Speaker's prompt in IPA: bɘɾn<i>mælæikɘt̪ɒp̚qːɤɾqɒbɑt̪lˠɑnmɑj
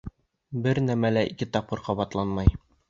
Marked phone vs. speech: incorrect: æ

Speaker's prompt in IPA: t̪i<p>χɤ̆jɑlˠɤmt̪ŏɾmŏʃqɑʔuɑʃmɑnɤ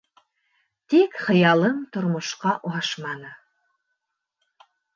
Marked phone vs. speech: incorrect: k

